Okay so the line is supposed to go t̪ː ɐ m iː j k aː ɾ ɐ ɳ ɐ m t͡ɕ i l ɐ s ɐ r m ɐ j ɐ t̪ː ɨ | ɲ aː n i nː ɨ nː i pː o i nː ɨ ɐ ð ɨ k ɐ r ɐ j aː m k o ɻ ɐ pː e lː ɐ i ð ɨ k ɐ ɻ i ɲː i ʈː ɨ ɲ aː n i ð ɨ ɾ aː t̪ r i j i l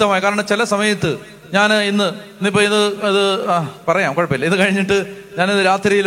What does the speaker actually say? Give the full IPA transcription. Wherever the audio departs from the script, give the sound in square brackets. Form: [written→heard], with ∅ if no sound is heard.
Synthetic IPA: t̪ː ɐ m [iː→aː] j k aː ɾ ɐ ɳ ɐ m t͡ɕ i l ɐ s ɐ [r→∅] m ɐ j ɐ t̪ː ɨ | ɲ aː n i nː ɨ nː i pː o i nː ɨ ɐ ð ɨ [k→p] ɐ r ɐ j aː m k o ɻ ɐ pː [e→i] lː ɐ i ð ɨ k ɐ ɻ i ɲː i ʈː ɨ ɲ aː n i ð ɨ ɾ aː t̪ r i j i l